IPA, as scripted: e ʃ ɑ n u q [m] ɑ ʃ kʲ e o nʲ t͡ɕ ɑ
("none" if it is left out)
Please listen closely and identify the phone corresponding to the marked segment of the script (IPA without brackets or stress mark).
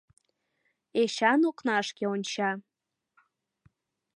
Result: n